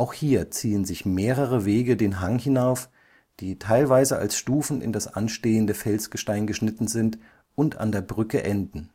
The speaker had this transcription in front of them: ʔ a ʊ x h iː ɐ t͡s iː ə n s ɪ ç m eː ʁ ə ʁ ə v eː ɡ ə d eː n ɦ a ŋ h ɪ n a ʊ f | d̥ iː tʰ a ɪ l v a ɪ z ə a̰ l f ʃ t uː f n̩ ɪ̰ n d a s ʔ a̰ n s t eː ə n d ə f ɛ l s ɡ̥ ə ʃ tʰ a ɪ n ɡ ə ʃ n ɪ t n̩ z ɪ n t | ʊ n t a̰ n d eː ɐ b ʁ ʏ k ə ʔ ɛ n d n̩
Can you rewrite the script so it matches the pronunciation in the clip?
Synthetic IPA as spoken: ʔ a ʊ x h iː ɐ t͡s iː ə n z ɪ ç m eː ʁ ə ʁ ə v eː ɡ ə d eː n ɦ a ŋ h ɪ n a ʊ f | d̥ iː tʰ a ɪ l v a ɪ z ə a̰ l s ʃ t uː f n̩ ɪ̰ n d a s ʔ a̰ n ʃ t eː ə n d ə f ɛ l s ɡ̥ ə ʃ t a ɪ n ɡ ə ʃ n ɪ t n̩ z ɪ n t | ʊ n t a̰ n d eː ɐ b ʁ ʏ k ə ʔ ɛ n d n̩